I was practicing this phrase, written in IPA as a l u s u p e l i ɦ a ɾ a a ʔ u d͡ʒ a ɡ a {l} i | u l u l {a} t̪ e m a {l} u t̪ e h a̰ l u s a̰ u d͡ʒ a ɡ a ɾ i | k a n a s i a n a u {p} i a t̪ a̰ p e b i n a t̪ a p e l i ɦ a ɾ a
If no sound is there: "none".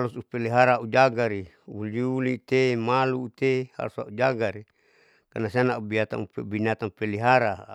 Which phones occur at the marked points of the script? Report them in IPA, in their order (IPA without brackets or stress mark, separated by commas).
ɾ, i, l, b